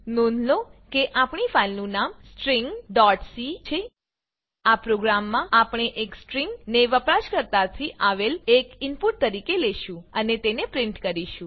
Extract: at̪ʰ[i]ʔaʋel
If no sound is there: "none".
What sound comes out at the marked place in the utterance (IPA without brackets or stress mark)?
i